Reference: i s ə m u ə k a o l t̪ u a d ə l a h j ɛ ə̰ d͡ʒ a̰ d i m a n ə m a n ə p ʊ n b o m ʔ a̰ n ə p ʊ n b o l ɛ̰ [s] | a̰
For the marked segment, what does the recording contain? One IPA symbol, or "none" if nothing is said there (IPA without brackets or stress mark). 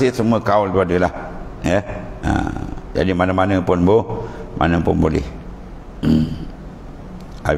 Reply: h